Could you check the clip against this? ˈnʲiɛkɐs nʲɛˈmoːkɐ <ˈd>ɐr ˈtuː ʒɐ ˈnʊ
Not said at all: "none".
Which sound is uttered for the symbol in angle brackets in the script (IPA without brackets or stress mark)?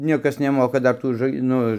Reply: d